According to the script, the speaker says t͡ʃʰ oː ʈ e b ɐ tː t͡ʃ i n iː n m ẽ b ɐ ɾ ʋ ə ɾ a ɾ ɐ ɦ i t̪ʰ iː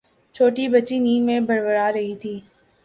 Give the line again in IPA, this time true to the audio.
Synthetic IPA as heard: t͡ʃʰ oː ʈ i b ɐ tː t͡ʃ i n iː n m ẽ b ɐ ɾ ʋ ə ɾ a ɾ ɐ ɦ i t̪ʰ iː